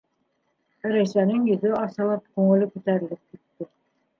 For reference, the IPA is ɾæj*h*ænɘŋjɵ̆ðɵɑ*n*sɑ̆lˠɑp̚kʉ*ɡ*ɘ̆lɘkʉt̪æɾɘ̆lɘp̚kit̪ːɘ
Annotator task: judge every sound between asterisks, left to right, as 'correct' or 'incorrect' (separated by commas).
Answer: incorrect, incorrect, incorrect